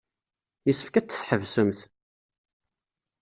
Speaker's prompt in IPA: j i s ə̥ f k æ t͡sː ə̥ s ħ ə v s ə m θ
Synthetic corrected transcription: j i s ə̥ f k æ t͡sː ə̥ θ ħ ə v s ə m θ